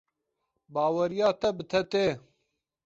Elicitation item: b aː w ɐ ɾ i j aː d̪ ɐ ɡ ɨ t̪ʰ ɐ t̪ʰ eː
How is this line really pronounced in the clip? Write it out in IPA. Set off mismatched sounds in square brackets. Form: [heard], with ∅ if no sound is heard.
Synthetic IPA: b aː w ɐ ɾ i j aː [t̪] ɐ [b] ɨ t̪ʰ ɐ [t̪] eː